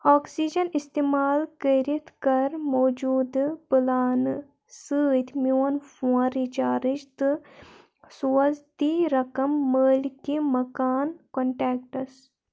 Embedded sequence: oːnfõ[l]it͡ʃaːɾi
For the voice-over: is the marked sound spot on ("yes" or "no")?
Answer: no